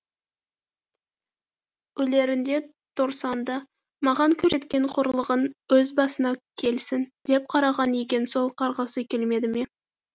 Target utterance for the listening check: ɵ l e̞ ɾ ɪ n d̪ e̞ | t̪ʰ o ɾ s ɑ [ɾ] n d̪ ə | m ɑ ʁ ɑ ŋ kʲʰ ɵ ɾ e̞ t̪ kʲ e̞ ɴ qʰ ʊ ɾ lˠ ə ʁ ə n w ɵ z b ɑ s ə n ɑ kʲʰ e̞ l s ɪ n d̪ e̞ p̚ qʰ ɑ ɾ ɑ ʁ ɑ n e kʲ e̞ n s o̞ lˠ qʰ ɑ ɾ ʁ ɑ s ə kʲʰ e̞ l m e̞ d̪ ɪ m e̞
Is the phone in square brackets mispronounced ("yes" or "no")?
yes